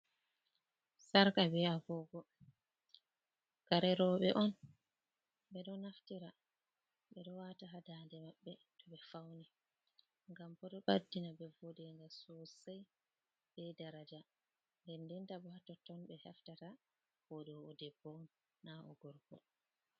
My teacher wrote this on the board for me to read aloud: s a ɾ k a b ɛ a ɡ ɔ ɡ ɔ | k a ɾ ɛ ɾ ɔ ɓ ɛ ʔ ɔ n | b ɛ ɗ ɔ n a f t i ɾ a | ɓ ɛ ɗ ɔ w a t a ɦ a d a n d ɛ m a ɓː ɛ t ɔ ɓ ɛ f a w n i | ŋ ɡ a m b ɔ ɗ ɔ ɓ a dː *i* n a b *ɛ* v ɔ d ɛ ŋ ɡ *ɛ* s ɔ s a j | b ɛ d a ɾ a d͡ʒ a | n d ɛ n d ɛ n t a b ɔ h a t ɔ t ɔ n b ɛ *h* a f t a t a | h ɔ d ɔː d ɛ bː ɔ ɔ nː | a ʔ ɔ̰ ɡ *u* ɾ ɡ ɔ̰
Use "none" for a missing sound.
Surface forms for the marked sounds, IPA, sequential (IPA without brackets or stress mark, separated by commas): i, ɛ, a, h, ɔ